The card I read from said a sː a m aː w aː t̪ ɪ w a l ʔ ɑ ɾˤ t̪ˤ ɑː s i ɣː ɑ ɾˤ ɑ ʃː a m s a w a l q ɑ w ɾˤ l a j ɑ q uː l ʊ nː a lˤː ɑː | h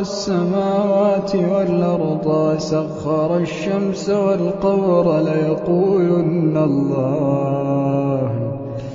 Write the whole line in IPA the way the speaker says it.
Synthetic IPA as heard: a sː a m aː w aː t̪ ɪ w a l ʔ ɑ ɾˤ d̪ˤ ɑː s a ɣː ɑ ɾˤ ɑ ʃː a m s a w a l q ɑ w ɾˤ l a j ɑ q uː l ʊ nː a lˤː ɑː | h